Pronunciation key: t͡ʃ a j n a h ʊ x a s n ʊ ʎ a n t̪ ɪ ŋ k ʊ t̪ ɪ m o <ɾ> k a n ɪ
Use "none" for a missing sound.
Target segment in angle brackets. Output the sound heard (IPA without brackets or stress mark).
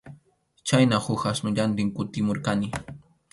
ɾ